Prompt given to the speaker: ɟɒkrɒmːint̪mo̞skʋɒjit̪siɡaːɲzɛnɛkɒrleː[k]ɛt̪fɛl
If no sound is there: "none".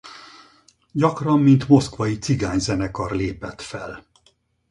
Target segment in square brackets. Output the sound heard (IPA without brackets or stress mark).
p